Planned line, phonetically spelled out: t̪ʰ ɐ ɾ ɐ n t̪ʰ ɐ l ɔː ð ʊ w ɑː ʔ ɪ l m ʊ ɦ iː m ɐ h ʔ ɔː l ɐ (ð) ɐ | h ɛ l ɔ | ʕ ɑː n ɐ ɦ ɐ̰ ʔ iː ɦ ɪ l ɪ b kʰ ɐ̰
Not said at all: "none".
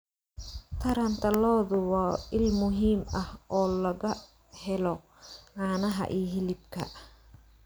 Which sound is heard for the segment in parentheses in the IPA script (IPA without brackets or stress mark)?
ɣ